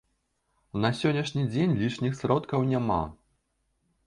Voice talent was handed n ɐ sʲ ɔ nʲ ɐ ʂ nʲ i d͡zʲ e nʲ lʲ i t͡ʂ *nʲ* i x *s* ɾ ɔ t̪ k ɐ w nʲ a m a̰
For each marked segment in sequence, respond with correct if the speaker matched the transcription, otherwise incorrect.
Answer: correct, correct

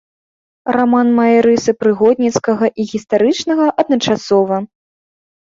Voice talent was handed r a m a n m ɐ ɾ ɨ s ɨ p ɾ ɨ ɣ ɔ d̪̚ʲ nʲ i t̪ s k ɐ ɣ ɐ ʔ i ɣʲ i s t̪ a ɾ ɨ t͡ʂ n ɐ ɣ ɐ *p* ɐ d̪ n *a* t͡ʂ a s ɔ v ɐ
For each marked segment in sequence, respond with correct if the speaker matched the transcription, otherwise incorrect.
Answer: incorrect, incorrect

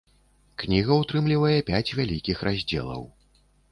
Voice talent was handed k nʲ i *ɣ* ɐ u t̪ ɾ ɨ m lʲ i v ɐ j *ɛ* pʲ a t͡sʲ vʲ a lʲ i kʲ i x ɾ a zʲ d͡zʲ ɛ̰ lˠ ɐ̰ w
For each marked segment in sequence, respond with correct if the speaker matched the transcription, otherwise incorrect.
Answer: correct, correct

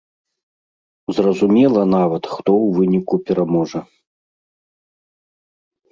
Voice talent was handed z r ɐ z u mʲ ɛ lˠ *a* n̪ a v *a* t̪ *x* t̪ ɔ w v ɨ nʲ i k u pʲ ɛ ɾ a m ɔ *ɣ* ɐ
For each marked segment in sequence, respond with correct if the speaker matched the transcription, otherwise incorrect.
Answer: incorrect, incorrect, correct, incorrect

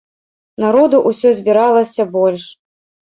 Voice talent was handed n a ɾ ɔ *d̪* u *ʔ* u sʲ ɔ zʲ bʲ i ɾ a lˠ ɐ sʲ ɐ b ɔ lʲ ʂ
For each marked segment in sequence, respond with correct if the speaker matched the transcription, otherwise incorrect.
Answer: correct, correct

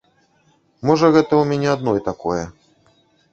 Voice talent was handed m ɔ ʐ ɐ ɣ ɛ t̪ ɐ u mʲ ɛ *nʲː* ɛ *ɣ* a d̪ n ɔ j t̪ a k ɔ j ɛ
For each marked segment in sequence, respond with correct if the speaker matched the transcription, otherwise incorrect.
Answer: incorrect, incorrect

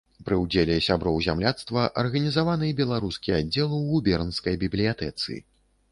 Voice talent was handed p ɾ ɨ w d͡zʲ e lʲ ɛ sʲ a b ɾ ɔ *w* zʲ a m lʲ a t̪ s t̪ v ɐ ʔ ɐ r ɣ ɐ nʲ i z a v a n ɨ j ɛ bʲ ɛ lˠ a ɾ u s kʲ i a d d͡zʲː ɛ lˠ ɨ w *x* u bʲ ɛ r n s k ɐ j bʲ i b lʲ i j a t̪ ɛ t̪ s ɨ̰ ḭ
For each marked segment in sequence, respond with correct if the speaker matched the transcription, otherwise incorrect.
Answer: correct, incorrect

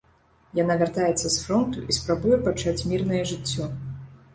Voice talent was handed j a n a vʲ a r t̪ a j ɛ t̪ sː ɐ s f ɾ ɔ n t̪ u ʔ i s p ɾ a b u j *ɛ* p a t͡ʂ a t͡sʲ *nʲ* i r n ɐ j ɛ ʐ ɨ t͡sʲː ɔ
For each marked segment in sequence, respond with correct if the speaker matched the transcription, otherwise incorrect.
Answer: correct, incorrect

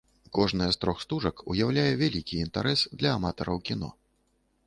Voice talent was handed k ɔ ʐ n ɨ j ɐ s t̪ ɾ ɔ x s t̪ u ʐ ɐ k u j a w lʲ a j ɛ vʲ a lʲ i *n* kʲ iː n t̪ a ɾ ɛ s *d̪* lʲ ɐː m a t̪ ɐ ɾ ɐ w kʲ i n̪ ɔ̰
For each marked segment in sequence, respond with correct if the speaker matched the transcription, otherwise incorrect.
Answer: incorrect, correct

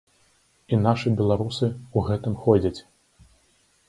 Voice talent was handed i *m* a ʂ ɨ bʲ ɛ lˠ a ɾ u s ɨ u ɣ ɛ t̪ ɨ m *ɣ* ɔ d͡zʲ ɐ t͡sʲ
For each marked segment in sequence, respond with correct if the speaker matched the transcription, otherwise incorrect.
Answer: incorrect, incorrect

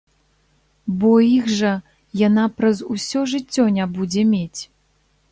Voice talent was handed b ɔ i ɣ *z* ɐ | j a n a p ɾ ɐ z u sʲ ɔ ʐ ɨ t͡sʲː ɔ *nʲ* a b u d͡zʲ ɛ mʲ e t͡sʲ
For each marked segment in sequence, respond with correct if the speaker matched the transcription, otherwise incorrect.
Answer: incorrect, correct

